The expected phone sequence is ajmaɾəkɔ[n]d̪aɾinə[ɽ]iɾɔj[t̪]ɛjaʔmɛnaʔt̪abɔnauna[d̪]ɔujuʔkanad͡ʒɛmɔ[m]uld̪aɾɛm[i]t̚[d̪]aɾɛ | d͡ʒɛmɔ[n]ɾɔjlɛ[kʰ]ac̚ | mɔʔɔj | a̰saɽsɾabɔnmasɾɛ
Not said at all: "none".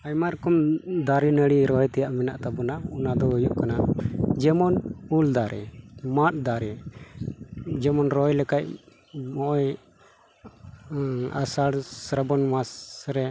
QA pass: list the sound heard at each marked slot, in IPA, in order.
m, ɽ, t̪, d̪, n, a, d̪, n, k

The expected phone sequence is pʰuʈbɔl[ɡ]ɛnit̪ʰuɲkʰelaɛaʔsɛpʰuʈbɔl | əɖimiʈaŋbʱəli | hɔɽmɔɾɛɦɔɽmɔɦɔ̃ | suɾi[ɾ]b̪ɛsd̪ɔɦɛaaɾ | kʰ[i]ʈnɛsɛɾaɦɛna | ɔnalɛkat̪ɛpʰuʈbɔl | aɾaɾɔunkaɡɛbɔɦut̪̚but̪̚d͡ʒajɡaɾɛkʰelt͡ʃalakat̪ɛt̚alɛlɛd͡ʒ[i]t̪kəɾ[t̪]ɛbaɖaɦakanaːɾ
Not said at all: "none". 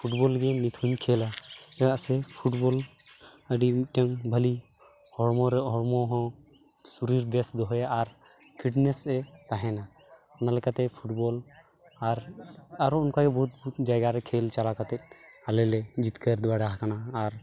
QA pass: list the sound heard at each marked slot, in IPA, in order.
ɡ, ɾ, i, i, d̪

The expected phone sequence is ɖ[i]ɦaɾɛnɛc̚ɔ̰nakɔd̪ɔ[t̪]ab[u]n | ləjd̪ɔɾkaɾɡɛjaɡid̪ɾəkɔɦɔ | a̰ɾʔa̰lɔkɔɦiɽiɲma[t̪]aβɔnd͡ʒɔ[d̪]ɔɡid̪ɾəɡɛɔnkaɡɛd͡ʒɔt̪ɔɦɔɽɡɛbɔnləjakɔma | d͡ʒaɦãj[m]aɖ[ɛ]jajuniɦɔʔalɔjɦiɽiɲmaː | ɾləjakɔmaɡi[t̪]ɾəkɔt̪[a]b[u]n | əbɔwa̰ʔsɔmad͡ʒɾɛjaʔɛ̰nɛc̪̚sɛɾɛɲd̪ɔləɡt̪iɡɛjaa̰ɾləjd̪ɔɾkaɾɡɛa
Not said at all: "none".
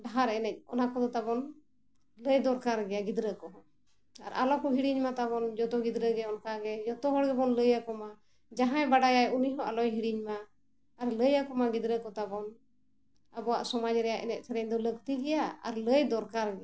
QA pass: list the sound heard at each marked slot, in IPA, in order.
a, t̪, ɔ, t̪, t̪, b, a, d̪, a, ɔ

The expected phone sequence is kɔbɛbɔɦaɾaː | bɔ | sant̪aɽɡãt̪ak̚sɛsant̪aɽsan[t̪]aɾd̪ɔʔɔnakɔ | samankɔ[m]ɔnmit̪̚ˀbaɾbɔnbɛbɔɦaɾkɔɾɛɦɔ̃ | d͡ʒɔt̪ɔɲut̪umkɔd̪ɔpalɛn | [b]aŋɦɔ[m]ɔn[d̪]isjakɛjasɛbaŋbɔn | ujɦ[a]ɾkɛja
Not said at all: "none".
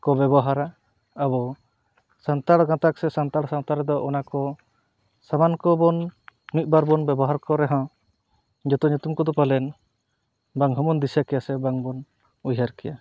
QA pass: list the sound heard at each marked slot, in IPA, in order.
t̪, b, b, m, d̪, a

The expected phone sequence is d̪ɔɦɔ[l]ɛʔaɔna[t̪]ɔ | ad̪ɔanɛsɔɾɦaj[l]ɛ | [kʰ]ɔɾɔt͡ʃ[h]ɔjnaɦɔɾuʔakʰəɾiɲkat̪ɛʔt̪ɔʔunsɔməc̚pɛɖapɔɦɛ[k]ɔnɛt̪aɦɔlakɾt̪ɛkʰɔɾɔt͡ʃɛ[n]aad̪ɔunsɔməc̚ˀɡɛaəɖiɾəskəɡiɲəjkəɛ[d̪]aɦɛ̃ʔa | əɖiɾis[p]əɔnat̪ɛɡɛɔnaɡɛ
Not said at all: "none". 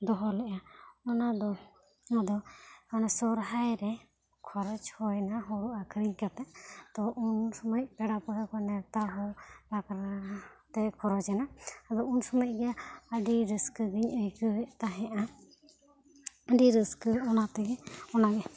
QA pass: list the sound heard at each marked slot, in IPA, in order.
l, d̪, ɾ, kʰ, h, k, n, t̪, k

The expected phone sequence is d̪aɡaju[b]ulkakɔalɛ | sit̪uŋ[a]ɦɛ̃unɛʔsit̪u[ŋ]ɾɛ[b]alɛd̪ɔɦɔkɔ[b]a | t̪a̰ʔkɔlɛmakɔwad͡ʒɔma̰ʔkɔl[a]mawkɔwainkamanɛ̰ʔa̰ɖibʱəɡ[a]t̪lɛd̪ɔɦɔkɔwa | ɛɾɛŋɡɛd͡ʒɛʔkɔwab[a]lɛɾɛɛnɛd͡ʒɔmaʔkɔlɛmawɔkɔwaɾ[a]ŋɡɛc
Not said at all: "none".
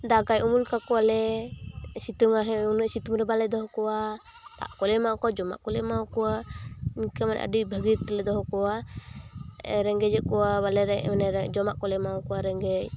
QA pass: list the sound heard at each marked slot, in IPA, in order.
m, a, m, b, w, ɛ, i, a, ɛ

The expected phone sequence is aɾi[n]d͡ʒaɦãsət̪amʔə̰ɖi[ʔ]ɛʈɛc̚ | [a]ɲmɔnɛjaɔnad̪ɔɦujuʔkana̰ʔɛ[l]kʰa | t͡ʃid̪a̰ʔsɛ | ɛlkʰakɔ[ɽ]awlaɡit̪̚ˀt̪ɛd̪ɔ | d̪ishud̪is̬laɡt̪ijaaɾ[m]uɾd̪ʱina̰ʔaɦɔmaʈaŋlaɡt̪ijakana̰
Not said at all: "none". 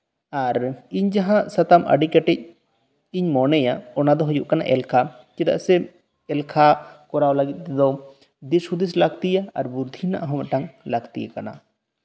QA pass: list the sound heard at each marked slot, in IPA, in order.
ɲ, k, i, l, ɾ, b

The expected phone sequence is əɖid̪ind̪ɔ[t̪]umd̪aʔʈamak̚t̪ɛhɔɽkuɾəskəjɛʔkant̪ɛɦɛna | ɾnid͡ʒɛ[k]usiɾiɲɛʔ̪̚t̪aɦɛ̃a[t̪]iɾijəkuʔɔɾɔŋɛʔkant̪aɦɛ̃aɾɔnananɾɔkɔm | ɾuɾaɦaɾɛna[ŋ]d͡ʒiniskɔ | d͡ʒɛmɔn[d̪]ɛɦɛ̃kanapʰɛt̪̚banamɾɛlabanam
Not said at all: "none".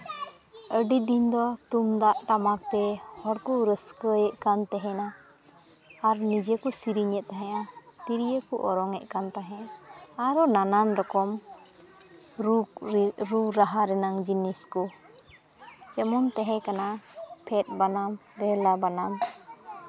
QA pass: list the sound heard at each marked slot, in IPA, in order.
t̪, k, t̪, ŋ, t̪

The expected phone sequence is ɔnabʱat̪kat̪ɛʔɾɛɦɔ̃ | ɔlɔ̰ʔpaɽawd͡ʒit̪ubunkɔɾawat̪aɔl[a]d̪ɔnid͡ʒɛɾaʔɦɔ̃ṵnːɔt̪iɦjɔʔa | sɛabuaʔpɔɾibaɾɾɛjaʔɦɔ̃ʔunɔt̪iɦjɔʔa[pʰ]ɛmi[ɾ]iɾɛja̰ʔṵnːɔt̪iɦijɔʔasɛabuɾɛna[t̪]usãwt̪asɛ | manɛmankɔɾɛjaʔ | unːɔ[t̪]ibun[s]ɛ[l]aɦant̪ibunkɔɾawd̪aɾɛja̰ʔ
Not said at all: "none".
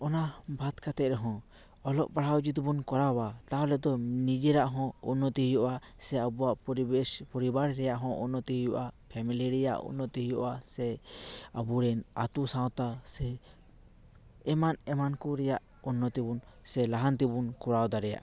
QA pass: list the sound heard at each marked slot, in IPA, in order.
ɛ, pʰ, l, t̪, t̪, s, l

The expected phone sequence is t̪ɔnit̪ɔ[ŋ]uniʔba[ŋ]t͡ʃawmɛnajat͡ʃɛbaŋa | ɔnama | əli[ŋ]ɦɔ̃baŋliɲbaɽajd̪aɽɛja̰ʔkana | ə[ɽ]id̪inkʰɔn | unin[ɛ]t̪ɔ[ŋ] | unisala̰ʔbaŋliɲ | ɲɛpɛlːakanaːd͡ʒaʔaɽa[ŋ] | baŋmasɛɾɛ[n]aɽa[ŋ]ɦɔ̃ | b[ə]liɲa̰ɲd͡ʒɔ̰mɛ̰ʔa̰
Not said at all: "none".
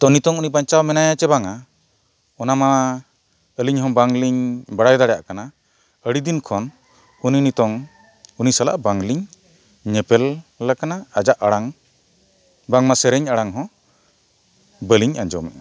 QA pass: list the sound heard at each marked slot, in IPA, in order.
ŋ, ɲ, ɲ, ɽ, i, ŋ, ŋ, ɲ, ŋ, ə

